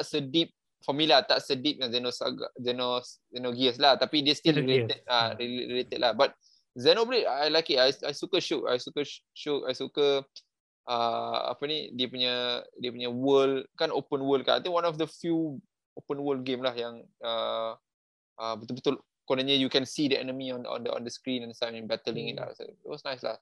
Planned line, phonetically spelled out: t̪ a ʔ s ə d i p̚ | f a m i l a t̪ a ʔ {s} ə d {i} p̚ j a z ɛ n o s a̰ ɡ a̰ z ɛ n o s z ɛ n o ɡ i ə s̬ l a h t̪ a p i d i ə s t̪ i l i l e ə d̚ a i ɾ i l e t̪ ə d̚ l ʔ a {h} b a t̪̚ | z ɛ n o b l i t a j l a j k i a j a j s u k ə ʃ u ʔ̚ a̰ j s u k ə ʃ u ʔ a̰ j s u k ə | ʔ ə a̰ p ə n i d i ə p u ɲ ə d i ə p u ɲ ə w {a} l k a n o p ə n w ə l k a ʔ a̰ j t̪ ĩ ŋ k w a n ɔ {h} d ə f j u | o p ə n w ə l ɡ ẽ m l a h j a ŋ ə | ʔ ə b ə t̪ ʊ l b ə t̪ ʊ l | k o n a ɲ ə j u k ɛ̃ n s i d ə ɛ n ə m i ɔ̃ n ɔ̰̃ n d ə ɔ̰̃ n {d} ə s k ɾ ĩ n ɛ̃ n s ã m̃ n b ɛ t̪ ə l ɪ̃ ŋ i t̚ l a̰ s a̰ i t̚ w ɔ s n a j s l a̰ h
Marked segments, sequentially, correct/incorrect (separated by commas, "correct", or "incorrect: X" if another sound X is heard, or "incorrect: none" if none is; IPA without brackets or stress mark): correct, correct, correct, incorrect: ə, incorrect: f, correct